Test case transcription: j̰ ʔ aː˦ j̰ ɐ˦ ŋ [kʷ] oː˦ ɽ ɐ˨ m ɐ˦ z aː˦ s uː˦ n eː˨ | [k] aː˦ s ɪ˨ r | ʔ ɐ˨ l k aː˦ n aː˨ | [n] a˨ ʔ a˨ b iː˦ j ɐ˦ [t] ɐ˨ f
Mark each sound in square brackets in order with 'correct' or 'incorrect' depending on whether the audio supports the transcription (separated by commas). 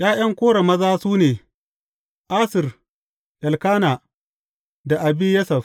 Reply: correct, incorrect, incorrect, incorrect